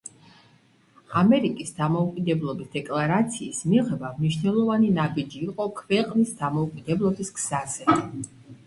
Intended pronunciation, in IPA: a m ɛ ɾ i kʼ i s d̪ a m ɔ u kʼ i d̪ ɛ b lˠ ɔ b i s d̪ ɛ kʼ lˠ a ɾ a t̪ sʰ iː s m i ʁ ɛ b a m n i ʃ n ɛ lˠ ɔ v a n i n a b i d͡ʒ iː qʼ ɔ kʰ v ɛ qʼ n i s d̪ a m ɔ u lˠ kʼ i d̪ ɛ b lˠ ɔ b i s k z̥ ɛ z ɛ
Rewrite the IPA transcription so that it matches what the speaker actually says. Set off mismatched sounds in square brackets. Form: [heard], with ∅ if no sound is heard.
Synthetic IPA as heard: a m ɛ ɾ i kʼ i s d̪ a m ɔ u kʼ i d̪ ɛ b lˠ ɔ b i s d̪ ɛ kʼ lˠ a ɾ a t̪ sʰ iː s m i ʁ ɛ b a m n i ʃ n ɛ lˠ ɔ v a n i n a b i d͡ʒ iː qʼ ɔ kʰ v ɛ qʼ n i s d̪ a m ɔ u [∅] kʼ i d̪ ɛ b lˠ ɔ b i s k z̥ [a] z ɛ